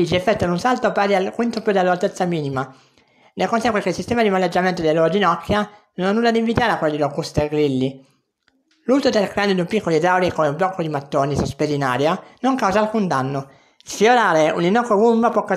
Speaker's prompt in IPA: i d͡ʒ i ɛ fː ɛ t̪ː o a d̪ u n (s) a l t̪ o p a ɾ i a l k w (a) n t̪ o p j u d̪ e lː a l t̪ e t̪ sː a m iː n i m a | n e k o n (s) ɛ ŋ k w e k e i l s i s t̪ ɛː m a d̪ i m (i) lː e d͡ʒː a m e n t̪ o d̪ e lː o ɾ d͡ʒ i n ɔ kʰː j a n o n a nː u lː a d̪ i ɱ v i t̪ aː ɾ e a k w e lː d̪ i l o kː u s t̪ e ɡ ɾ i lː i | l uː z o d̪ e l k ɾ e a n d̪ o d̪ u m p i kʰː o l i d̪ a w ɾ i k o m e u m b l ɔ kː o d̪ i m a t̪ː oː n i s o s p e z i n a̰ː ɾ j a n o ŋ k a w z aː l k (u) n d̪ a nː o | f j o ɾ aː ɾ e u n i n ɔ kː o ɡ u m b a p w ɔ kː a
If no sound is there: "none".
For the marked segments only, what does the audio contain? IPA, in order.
s, i, s, a, u

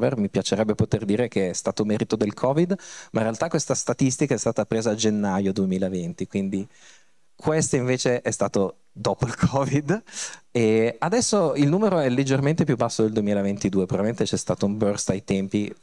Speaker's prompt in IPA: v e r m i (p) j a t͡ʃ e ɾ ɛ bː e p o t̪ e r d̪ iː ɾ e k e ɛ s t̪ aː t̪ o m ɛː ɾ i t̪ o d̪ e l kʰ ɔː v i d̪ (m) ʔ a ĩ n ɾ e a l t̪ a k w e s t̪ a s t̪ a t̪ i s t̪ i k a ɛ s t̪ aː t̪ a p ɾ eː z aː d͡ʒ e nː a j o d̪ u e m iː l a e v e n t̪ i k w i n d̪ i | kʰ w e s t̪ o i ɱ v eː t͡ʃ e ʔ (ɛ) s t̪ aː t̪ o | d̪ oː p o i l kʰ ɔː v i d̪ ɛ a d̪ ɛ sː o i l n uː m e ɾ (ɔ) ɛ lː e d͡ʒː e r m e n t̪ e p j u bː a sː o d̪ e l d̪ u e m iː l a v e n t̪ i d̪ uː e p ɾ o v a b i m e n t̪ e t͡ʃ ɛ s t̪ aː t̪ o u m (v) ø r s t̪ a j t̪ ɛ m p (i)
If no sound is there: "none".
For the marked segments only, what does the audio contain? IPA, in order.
p, m, ɛ, o, b, i

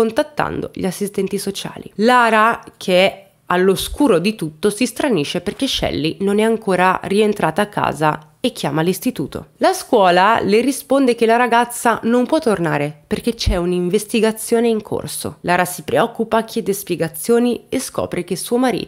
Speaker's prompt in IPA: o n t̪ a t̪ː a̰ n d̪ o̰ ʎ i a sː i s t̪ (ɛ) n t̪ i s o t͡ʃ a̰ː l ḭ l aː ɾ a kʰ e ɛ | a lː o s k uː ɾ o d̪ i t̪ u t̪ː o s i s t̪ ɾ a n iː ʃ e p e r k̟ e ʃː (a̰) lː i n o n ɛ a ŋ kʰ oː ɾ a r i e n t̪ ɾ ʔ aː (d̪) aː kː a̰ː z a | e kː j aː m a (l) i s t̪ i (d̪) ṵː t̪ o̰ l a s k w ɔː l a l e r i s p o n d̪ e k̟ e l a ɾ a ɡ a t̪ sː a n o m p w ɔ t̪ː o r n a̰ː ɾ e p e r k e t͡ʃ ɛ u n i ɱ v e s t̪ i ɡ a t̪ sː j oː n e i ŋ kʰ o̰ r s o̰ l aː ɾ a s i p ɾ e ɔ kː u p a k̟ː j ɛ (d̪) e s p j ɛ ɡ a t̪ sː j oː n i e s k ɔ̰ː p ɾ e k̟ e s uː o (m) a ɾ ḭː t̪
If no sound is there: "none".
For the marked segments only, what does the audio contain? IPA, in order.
ɛ, ɛ̰, t̪, l, t̪, d̪, m

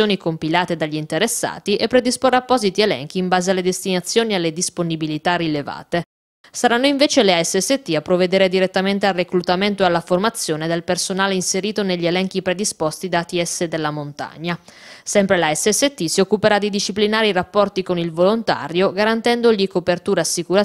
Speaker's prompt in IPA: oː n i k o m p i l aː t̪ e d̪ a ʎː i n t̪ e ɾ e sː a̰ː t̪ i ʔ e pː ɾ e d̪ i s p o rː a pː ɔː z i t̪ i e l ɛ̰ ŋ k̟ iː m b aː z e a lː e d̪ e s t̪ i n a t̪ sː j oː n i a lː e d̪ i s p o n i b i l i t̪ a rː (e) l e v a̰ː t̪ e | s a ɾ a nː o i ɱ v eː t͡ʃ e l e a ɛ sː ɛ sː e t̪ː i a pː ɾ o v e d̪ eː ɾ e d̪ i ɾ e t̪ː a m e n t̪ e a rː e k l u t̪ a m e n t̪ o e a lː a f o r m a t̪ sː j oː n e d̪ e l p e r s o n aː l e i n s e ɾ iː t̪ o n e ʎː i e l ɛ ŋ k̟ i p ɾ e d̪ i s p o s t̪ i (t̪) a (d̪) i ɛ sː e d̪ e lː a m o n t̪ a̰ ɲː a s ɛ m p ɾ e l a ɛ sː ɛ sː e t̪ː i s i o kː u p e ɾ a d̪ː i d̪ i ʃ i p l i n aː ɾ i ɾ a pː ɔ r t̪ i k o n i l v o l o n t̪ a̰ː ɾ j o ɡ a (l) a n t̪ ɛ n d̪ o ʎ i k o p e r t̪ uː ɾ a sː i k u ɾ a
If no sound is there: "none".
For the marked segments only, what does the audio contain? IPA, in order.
i, d̪, t̪, ɾ

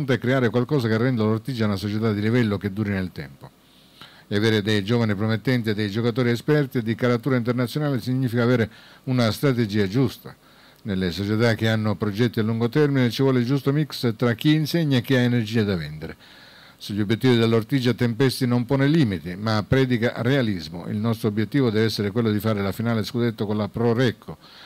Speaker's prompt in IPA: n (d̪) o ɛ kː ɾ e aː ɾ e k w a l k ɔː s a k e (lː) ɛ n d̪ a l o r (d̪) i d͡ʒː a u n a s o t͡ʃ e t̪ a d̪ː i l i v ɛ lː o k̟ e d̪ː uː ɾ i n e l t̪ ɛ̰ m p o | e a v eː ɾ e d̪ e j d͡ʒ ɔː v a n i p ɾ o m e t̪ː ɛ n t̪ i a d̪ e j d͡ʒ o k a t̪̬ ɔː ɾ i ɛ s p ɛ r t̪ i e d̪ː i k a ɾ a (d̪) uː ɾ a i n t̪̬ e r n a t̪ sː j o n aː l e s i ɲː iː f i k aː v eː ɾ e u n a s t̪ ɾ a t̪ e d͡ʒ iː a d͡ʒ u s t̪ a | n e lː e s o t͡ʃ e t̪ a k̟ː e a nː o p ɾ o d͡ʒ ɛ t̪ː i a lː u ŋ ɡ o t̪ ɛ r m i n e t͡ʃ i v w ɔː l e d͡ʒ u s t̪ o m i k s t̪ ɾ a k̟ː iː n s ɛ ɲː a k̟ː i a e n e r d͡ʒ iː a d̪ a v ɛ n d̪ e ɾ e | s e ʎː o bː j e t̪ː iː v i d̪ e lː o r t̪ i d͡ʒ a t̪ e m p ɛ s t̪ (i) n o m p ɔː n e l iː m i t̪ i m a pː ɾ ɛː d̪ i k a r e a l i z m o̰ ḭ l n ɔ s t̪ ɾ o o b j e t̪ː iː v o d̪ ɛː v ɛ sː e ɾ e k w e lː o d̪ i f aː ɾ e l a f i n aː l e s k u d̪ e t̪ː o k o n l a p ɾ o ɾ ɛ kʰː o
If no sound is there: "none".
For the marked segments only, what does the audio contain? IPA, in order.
t̪, rː, t̪, t̪, i

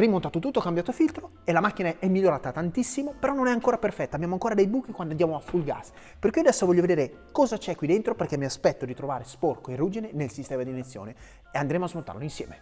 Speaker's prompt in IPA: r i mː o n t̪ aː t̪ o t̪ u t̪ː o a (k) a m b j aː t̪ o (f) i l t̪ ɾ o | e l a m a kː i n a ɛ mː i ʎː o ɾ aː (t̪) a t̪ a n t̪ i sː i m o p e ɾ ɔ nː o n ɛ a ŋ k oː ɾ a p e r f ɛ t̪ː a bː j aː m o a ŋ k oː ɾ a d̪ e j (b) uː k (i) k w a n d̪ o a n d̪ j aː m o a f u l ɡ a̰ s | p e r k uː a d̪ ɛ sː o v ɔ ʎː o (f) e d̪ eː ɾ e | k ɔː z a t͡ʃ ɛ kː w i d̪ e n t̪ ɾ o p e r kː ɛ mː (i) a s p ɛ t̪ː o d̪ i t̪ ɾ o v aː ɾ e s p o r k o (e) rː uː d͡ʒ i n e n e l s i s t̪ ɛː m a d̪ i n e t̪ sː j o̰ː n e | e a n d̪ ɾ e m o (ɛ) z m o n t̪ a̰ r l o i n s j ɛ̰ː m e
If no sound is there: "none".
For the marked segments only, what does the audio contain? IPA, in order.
k, f, t̪, b, i, v, i, e, a

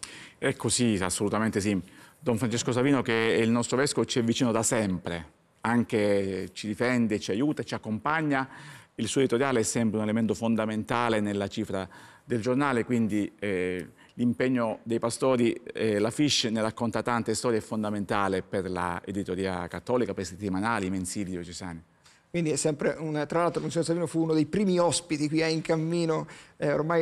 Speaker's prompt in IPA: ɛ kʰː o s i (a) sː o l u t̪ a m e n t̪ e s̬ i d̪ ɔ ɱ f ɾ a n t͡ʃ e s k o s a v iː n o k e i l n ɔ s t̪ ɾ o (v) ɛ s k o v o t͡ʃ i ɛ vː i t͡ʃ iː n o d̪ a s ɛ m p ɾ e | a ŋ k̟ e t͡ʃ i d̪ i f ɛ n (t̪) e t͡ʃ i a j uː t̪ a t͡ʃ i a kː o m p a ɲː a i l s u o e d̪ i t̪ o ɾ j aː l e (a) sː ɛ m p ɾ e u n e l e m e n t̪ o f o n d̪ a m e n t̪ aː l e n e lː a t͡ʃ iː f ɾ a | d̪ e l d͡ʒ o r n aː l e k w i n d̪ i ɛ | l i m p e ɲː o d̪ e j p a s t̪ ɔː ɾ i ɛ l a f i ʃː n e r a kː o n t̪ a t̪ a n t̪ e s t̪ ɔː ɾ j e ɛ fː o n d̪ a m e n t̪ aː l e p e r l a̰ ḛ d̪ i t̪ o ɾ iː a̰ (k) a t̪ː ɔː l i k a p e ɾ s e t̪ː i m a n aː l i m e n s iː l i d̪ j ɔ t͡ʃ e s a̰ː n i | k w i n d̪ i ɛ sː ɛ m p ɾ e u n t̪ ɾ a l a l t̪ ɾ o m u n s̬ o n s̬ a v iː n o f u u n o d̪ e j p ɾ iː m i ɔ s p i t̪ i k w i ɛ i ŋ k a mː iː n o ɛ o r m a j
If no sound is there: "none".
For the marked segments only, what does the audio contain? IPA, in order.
a, v, d̪, ɛ, k

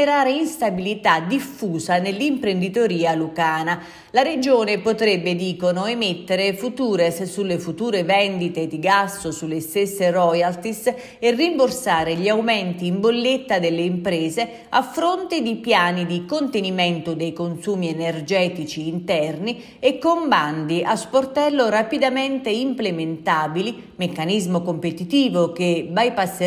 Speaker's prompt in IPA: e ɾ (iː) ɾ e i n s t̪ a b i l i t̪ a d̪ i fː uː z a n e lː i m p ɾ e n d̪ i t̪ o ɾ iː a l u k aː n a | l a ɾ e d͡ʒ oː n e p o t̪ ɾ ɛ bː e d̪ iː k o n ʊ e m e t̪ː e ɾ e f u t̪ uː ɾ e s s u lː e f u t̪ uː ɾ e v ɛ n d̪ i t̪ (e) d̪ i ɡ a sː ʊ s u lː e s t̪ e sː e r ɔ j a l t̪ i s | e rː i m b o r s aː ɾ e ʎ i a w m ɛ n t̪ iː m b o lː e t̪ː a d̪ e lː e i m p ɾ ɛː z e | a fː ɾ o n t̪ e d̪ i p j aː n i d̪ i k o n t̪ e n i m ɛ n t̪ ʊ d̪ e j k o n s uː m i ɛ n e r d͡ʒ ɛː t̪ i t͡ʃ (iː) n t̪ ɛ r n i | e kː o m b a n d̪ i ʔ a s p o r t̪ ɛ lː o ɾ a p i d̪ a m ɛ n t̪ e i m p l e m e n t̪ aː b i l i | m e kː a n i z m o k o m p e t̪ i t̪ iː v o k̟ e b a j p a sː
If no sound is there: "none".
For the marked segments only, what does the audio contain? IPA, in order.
aː, e, iː

